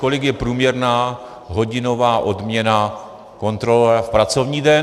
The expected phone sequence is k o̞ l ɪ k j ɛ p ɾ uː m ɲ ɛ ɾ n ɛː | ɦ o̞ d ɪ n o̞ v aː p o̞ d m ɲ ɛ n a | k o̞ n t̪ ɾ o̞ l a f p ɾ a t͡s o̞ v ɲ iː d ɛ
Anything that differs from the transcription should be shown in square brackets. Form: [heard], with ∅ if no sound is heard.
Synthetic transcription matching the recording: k o̞ l ɪ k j ɛ p ɾ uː m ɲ ɛ ɾ n [aː] | ɦ o̞ [ɟ] ɪ n o̞ v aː [ʔ] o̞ d m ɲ ɛ n a | k o̞ n t̪ ɾ o̞ l [ɛ] f p ɾ a t͡s o̞ v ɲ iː d ɛ